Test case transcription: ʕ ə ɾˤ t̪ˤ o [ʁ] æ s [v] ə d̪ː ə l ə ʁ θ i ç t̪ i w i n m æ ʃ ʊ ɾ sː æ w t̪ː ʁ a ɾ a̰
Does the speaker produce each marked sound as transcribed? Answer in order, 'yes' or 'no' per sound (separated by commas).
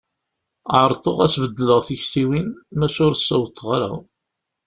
yes, yes